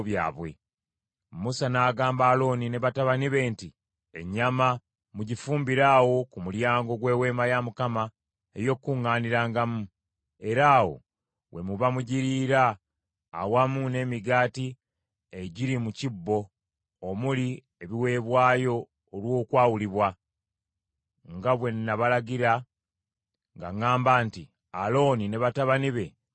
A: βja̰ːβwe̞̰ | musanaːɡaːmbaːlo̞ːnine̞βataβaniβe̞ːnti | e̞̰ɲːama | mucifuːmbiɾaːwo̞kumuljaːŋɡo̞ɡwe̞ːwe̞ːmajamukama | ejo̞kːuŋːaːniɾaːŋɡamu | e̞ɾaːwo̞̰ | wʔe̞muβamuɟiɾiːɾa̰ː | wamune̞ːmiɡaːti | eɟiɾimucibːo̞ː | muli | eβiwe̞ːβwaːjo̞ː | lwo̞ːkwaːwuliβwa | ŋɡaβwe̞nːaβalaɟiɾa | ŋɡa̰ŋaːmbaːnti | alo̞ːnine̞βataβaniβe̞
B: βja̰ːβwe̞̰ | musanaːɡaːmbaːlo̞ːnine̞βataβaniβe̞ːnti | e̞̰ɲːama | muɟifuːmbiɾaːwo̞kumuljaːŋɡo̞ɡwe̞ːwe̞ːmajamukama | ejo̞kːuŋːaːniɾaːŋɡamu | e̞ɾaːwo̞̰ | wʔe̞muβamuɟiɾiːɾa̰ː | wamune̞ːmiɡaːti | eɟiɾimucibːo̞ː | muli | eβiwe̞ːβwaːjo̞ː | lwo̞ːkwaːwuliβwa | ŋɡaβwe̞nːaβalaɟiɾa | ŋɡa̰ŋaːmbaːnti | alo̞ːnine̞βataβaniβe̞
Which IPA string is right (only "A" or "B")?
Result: B